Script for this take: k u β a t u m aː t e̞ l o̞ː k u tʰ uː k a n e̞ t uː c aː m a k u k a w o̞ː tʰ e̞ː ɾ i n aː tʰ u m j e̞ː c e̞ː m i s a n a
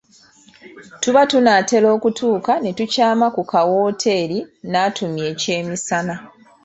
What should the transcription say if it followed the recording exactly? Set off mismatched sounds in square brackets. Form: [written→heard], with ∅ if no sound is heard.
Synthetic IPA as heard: [k→t] u β a t u [m→n] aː t e̞ l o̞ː k u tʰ uː k a n e̞ t [uː→u] c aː m a k u k a w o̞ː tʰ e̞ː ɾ i n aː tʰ u m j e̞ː c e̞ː m i s a n a